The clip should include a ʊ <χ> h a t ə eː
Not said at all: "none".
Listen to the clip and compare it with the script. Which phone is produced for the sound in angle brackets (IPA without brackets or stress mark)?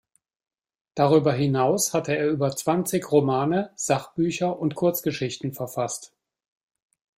s